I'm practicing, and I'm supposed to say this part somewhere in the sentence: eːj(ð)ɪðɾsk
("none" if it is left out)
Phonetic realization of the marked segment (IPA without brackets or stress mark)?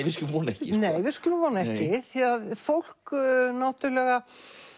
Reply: v